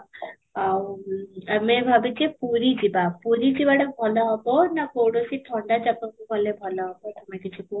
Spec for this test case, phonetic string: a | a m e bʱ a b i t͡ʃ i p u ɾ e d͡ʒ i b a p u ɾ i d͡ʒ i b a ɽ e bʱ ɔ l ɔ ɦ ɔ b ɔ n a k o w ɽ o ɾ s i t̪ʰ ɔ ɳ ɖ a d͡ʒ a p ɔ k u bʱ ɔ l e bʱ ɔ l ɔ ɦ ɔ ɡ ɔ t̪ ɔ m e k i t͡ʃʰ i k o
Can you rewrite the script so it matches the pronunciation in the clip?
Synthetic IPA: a | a m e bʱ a b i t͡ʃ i p u ɾ i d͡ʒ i b a p u ɾ i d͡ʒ i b a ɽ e bʱ ɔ l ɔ ɦ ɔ b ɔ n a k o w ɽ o s i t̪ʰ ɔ ɳ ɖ a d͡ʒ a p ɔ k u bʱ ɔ l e bʱ ɔ l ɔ ɦ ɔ b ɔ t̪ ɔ m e k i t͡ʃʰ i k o

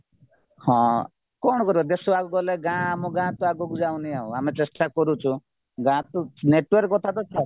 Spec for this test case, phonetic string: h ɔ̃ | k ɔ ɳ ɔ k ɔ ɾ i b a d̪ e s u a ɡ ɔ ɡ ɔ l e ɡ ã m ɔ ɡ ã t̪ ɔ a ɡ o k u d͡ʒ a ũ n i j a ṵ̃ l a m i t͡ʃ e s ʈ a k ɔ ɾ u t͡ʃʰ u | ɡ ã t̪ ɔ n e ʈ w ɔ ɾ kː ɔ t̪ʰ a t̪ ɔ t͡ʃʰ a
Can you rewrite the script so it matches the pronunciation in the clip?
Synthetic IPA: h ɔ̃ | k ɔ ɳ ɔ k ɔ ɾ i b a d̪ e s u a ɡ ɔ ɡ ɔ l e ɡ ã m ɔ ɡ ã t̪ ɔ a ɡ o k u d͡ʒ a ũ n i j a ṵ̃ a m e t͡ʃ e s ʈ a k ɔ ɾ u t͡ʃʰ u | ɡ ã t̪ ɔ n e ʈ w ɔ ɾ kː ɔ t̪ʰ a t̪ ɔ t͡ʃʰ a

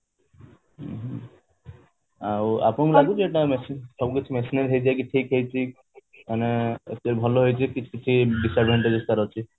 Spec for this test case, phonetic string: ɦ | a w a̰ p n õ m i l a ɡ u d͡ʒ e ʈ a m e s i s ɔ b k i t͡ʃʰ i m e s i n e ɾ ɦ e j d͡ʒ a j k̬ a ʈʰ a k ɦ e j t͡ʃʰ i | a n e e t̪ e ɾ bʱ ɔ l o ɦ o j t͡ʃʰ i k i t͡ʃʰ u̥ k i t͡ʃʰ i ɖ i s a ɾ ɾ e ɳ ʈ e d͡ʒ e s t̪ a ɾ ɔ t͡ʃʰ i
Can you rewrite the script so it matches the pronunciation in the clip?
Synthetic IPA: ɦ | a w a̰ p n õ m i l a ɡ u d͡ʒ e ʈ a m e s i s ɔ b k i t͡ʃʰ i m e s i n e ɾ ɦ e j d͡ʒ a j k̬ i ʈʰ i k ɦ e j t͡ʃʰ i | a n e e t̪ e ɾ bʱ ɔ l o ɦ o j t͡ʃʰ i k i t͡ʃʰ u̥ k i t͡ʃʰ i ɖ i s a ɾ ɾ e ɳ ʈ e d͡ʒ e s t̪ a ɾ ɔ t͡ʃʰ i

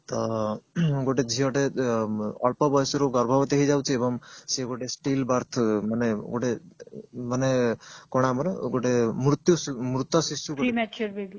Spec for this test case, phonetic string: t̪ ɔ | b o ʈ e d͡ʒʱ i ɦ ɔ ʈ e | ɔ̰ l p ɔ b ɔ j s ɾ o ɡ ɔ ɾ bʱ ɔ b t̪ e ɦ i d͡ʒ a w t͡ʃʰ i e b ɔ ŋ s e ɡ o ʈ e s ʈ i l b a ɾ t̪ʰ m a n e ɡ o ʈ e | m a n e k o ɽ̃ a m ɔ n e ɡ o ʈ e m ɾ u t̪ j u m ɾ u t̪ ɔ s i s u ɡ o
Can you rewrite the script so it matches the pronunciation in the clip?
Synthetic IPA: t̪ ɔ | ɡ o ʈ e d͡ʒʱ i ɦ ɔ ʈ e | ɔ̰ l p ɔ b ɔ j s ɾ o ɡ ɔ ɾ bʱ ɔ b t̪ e ɦ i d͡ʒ a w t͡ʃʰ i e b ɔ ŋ s e ɡ o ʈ e s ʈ i l b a ɾ t̪ʰ m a n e ɡ o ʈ e | m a n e k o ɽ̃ a m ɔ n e ɡ o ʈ e m ɾ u t̪ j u m ɾ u t̪ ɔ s i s u ɡ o

